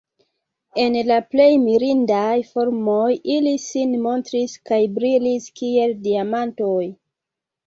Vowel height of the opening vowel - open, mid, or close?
mid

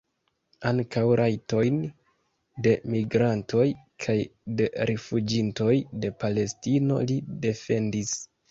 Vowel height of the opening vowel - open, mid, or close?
open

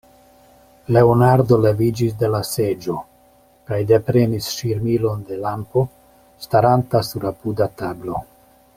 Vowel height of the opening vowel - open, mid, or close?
mid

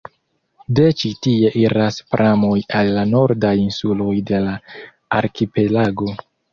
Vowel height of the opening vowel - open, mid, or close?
mid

